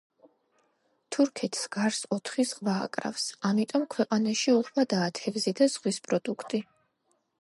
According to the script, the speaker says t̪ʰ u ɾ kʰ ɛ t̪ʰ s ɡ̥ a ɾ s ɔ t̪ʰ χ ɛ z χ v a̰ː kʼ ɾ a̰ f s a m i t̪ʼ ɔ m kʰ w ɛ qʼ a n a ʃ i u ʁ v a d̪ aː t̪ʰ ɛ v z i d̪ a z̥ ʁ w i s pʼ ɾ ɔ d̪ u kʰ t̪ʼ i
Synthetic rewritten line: t̪ʰ u ɾ kʰ ɛ t̪ʰ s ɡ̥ a ɾ s ɔ t̪ʰ χ i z ʁ v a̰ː kʼ ɾ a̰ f s a m i t̪ʼ ɔ m kʰ w ɛ qʼ a n a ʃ i u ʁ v a d̪ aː t̪ʰ ɛ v z i d̪ a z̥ ʁ w i s pʼ ɾ ɔ d̪ u kʰ t̪ʼ i